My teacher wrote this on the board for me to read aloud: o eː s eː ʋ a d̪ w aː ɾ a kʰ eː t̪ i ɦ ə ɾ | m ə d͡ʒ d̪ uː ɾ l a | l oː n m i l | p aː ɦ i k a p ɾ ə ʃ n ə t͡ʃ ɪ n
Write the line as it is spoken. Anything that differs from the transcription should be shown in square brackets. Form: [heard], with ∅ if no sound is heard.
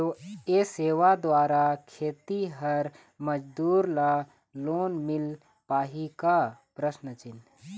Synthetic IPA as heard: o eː s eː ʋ a d̪ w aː ɾ a kʰ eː t̪ i ɦ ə ɾ | m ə d͡ʒ d̪ uː ɾ l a | l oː n m [ɪ] l | p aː ɦ i k a p ɾ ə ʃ n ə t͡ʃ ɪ n